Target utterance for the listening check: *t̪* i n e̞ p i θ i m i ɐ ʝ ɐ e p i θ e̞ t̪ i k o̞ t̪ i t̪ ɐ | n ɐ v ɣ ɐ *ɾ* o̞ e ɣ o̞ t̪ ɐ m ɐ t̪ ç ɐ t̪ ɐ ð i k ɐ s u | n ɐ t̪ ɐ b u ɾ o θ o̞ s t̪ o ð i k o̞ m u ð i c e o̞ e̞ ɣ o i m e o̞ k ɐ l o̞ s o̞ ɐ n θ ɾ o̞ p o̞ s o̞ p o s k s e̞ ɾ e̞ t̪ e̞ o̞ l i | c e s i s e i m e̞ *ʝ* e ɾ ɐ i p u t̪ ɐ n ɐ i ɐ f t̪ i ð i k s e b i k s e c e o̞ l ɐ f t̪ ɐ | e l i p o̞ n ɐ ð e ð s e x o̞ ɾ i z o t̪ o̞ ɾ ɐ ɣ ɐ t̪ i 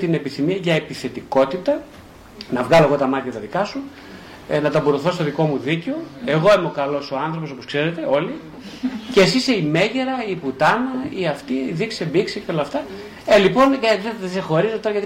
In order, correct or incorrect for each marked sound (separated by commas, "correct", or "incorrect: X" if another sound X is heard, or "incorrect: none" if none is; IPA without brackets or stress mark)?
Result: correct, incorrect: l, correct